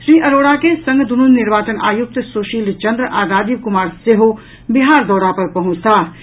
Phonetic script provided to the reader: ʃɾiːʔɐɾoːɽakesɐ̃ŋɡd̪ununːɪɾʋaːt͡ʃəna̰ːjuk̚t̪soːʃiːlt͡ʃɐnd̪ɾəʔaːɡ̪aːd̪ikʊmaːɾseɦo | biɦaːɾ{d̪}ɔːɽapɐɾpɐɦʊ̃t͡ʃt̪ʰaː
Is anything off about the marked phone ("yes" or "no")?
no